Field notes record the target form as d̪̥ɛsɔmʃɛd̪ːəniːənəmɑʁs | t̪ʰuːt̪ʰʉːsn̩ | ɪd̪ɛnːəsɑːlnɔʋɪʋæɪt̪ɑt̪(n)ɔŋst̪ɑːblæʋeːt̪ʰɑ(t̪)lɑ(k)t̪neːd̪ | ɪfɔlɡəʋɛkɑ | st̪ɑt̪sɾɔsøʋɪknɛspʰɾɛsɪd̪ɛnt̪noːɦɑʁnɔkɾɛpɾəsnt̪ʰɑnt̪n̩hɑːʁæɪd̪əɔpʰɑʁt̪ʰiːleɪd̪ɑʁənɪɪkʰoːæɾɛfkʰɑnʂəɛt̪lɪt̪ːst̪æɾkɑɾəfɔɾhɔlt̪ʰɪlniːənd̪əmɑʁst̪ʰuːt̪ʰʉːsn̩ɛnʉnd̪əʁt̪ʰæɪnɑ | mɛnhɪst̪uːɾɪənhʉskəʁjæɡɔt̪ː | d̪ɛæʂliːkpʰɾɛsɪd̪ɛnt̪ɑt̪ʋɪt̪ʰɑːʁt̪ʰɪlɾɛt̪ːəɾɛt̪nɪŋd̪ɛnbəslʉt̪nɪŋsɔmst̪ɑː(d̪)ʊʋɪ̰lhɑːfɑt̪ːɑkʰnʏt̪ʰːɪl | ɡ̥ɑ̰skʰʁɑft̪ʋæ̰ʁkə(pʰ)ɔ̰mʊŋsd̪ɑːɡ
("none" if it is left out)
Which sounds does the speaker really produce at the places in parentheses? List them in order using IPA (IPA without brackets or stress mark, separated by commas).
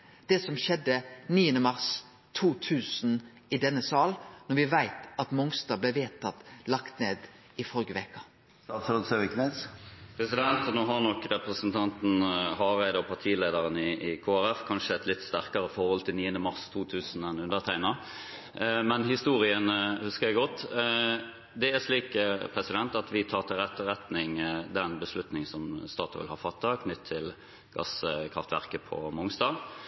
m, t̪, k, t̪, pʰ